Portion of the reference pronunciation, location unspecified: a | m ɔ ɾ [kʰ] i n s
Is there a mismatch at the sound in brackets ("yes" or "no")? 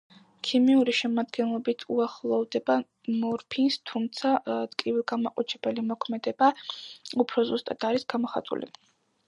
yes